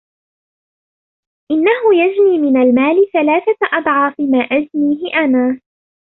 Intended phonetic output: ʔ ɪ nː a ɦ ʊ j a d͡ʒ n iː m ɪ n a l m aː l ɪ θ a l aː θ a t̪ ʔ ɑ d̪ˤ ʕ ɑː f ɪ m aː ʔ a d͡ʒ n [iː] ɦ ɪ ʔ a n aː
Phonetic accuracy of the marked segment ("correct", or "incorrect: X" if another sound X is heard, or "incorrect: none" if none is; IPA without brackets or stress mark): correct